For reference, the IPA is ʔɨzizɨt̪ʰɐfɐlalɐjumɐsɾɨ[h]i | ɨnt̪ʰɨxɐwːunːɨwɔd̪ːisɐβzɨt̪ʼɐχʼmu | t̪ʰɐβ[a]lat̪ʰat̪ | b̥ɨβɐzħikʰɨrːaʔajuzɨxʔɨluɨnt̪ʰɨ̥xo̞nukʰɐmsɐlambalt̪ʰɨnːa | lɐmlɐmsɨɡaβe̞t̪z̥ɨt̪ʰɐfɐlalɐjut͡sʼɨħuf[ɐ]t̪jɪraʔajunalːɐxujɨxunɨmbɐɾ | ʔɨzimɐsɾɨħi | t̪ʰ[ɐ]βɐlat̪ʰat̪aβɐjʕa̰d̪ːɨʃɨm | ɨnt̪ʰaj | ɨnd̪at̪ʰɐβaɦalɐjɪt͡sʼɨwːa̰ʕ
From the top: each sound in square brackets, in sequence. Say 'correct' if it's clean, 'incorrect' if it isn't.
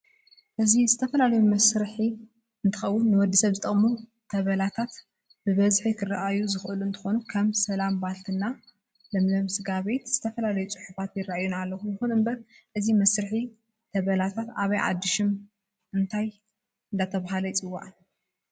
incorrect, incorrect, incorrect, correct

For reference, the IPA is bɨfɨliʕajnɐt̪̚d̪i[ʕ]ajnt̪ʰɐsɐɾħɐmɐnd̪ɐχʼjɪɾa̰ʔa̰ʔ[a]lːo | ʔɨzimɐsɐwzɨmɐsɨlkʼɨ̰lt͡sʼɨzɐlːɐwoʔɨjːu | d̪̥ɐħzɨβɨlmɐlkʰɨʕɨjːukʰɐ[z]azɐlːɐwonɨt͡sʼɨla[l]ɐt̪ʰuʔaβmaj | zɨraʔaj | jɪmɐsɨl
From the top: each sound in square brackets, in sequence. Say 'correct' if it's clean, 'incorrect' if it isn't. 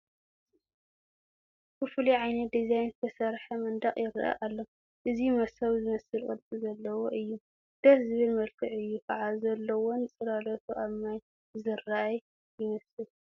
incorrect, correct, incorrect, correct

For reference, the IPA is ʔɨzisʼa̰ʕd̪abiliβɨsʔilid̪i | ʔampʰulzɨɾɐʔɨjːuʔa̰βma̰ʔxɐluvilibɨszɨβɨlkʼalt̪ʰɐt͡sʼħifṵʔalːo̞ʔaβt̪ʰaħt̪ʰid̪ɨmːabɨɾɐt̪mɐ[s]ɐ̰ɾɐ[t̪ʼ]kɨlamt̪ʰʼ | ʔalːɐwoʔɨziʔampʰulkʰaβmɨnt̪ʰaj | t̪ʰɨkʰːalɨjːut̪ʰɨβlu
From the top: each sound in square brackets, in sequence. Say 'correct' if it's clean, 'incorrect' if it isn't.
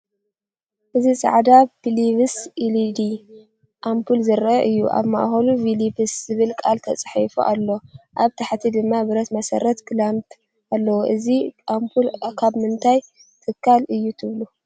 correct, incorrect

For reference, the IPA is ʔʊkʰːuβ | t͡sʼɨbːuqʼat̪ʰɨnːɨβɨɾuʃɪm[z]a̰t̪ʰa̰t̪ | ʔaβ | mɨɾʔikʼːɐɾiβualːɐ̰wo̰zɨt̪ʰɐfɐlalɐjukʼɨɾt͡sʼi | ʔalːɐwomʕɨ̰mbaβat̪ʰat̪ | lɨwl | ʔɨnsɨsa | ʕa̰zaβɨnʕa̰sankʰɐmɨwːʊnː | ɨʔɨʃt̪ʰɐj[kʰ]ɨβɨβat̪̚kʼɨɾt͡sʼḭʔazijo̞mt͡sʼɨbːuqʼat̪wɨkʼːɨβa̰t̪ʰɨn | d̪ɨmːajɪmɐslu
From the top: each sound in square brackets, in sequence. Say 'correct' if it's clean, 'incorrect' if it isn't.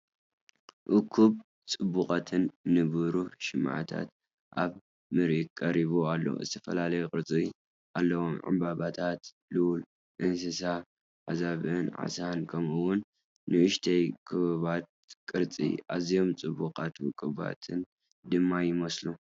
incorrect, correct

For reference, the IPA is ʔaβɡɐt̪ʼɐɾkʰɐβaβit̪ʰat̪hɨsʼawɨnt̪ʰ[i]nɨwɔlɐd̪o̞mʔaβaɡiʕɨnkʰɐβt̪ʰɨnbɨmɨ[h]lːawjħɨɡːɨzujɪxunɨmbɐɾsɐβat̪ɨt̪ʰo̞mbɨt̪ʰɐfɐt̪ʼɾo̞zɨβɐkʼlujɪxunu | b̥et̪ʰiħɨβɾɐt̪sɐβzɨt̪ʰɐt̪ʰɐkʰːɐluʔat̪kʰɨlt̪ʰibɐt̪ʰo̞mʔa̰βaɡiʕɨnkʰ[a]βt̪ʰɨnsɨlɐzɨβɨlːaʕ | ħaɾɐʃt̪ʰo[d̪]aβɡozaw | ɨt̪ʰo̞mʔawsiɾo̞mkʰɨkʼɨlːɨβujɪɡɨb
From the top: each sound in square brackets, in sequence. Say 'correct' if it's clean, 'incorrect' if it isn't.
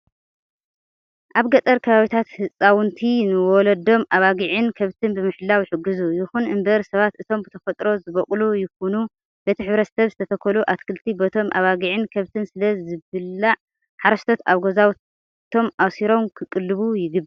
correct, incorrect, incorrect, incorrect

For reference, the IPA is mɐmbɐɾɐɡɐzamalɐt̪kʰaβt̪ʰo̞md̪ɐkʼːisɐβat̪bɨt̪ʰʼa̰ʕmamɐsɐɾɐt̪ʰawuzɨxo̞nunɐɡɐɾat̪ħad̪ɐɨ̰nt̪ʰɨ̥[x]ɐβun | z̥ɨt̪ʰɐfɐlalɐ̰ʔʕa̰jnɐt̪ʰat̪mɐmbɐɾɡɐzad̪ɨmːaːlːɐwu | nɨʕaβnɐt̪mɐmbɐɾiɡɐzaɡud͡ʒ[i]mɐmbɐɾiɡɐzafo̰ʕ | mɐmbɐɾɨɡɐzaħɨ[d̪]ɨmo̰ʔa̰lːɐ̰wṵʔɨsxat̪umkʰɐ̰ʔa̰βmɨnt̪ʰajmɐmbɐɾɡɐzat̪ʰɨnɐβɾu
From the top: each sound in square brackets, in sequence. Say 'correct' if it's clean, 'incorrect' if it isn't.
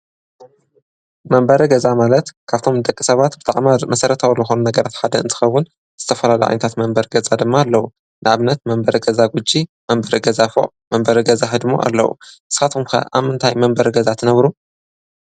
correct, correct, correct

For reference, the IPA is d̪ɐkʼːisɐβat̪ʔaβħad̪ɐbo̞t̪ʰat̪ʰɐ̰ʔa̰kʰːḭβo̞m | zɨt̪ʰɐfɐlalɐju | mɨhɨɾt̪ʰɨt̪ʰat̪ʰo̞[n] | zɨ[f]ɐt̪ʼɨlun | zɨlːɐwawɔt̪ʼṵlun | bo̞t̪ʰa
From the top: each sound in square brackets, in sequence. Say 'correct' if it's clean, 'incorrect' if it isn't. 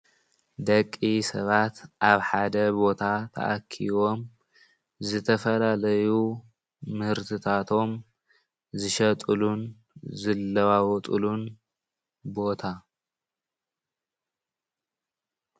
incorrect, incorrect

